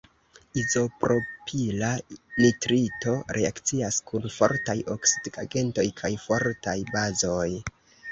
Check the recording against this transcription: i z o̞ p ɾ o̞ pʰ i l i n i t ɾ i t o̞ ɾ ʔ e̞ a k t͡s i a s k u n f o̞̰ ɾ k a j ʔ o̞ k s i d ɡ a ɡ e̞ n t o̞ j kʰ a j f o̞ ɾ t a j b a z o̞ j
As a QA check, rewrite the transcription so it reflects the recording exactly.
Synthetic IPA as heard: i z o̞ p ɾ o̞ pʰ i l a n i t ɾ i t o̞ ɾ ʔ e̞ a k t͡s i a s k u n f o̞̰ ɾ t a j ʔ o̞ k s i d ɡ a ɡ e̞ n t o̞ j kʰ a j f o̞ ɾ t a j b a z o̞ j